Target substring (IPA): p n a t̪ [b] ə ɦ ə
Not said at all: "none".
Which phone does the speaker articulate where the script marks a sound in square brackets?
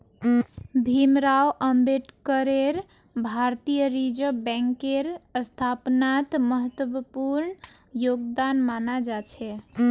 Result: m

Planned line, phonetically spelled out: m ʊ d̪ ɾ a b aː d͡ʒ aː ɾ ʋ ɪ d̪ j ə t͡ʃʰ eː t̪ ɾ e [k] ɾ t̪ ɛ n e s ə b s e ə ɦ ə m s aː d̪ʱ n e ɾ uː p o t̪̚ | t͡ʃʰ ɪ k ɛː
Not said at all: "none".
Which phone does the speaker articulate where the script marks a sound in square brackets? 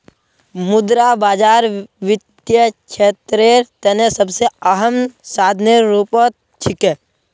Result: none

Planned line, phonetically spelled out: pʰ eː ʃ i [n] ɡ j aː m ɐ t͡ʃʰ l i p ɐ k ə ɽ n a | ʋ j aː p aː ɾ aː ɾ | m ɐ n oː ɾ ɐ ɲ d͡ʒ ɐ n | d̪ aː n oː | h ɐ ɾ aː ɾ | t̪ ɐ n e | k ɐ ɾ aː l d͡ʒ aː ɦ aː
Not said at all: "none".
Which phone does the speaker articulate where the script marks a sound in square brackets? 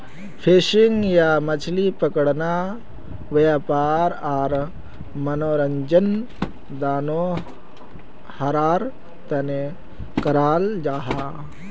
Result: ŋ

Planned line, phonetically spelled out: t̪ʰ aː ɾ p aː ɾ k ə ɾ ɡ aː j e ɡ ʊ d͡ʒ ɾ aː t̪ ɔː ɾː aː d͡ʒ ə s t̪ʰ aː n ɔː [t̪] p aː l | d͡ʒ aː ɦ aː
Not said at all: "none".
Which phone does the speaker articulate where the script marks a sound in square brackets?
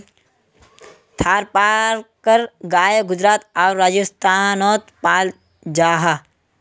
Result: t̪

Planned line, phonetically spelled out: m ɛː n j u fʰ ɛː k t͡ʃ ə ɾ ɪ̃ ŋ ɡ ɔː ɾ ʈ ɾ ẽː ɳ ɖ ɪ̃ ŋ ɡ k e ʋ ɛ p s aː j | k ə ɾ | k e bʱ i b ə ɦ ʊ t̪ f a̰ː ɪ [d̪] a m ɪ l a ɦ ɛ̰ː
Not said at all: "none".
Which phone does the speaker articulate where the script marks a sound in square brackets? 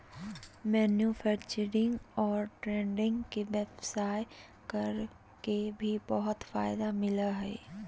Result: d̪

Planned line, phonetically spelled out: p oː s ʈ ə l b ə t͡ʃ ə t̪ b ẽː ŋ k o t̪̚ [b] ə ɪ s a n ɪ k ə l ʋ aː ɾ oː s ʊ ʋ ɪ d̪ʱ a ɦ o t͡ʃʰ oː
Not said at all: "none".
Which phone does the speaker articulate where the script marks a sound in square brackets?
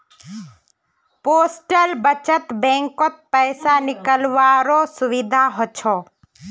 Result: p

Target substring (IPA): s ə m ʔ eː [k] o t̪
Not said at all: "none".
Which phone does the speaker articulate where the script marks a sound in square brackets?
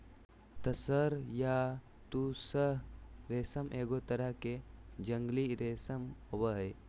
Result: ɡ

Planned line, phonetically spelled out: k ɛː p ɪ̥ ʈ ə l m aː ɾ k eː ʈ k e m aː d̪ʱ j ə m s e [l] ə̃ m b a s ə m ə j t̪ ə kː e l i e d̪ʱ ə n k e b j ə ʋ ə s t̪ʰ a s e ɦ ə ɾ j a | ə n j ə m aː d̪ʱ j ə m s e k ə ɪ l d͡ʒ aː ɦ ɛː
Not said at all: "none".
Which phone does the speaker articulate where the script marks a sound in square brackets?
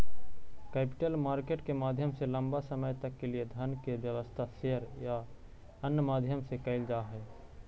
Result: l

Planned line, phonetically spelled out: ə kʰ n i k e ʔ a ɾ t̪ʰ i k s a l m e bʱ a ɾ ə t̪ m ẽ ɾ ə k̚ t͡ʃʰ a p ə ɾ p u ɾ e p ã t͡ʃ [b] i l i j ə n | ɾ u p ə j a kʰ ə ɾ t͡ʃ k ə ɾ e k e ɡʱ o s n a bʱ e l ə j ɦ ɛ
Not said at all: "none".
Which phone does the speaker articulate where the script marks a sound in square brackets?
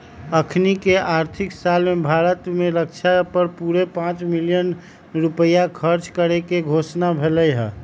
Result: m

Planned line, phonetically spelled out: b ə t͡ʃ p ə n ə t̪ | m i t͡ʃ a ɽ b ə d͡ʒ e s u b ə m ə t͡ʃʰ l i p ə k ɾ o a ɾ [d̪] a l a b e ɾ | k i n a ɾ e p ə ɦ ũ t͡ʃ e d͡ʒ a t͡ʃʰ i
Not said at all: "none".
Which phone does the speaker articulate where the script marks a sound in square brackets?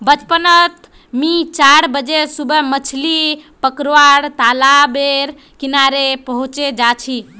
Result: t̪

